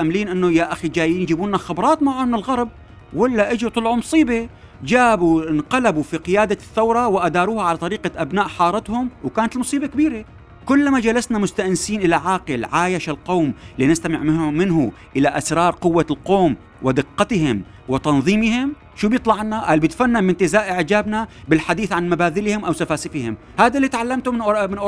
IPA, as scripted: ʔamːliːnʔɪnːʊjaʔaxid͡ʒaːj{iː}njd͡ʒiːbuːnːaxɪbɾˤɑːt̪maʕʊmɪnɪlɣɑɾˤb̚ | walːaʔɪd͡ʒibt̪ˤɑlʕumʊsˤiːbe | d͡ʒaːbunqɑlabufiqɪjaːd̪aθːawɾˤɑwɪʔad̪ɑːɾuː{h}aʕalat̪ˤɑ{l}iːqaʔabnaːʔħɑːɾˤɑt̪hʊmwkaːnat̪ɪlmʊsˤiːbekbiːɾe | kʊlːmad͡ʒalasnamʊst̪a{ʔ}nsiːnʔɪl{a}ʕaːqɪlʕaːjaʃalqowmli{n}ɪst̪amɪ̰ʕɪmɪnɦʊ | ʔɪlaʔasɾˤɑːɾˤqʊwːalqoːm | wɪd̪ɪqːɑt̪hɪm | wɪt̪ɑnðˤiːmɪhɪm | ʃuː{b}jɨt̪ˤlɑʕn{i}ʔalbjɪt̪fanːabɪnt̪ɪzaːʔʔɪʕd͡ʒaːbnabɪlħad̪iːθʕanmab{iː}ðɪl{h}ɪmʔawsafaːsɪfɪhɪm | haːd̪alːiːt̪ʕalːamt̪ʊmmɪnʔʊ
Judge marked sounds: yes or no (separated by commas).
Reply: yes, yes, no, yes, yes, yes, yes, no, no, yes